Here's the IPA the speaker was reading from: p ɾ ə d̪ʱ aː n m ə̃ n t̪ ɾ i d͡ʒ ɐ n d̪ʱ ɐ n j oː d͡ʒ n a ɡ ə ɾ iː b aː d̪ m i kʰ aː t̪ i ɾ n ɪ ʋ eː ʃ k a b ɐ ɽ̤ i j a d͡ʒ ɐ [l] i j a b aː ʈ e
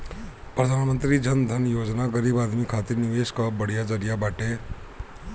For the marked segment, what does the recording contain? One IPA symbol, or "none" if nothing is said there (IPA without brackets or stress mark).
ɾ